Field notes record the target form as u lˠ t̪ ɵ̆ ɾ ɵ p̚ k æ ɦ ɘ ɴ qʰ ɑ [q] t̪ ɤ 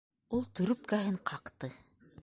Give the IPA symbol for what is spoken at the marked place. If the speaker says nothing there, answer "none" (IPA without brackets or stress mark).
q